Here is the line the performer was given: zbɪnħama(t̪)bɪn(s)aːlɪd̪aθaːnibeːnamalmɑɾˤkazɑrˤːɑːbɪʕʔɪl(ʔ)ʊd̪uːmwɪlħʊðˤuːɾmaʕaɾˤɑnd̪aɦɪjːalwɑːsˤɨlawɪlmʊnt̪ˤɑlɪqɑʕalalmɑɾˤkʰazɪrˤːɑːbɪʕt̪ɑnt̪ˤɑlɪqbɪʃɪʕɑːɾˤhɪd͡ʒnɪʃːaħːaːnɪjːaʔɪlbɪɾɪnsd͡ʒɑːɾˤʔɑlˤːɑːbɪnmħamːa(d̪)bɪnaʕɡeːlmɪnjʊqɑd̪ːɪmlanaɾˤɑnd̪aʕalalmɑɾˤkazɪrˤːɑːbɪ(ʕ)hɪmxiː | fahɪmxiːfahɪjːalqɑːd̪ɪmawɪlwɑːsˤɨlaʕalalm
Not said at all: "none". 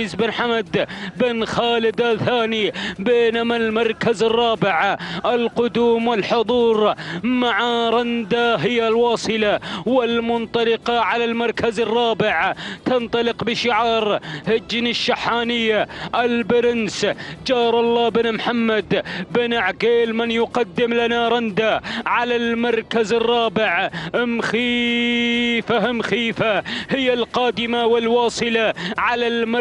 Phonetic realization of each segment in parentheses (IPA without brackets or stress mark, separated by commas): d̪, x, q, d̪, ʕ